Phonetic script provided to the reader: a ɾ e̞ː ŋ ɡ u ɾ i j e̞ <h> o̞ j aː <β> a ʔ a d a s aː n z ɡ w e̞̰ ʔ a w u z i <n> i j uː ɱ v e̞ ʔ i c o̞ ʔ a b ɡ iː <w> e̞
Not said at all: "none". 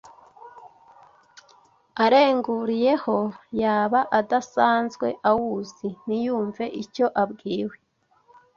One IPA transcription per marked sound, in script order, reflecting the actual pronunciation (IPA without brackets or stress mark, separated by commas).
h, β, n, w